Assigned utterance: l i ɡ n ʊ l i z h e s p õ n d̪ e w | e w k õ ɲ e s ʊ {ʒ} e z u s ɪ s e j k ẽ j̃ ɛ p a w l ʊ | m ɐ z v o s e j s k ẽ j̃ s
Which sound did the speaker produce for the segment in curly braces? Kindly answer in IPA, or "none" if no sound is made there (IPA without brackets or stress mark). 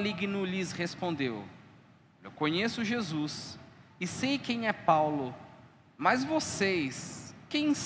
ʒ